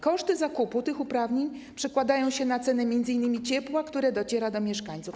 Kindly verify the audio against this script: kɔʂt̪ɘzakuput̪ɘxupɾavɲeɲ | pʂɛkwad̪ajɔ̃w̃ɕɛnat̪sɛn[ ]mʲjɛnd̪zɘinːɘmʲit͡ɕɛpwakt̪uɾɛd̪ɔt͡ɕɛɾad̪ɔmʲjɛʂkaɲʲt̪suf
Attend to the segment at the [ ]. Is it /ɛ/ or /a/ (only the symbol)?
ɛ